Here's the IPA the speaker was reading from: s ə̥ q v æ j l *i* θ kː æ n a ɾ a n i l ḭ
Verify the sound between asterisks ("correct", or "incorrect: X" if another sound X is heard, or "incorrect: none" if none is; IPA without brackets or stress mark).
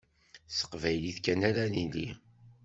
correct